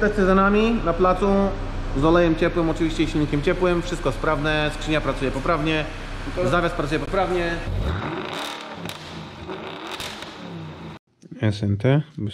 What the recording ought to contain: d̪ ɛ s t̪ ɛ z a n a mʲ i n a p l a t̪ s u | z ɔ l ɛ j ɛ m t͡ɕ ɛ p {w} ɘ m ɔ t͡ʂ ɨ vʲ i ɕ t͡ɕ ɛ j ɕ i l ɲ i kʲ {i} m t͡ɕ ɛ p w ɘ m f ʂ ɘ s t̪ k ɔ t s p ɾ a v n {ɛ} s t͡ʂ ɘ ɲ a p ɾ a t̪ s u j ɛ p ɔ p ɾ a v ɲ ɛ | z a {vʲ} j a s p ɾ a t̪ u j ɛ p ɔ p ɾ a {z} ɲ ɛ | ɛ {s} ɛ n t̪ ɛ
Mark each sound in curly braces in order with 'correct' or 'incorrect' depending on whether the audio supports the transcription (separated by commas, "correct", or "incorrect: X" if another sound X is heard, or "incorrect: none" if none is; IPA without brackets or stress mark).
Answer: correct, incorrect: ɛ, correct, correct, incorrect: v, correct